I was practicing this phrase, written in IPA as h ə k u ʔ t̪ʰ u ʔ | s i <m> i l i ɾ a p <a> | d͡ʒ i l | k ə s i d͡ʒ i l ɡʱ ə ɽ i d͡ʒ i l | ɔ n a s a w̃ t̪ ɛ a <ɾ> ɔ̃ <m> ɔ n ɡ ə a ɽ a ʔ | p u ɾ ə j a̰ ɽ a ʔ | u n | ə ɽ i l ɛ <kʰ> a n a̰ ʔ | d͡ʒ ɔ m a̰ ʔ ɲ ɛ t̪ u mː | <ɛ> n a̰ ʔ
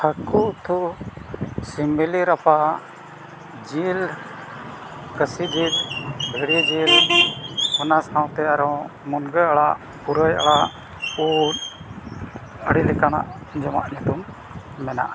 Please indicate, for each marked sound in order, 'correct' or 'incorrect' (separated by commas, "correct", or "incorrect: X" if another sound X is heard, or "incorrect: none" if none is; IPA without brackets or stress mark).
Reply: correct, correct, correct, correct, incorrect: k, correct